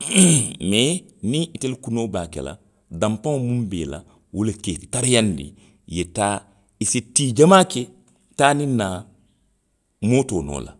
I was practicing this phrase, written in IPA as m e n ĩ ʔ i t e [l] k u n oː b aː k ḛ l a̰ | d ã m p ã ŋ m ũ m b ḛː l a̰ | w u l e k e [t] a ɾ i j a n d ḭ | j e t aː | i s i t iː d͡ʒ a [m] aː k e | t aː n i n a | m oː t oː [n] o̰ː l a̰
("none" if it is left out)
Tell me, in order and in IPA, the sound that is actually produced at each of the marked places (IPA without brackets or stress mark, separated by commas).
l, t, m, n